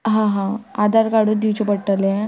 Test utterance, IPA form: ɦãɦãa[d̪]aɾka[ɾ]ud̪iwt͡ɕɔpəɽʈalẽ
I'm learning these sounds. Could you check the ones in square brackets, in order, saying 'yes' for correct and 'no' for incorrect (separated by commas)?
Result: yes, no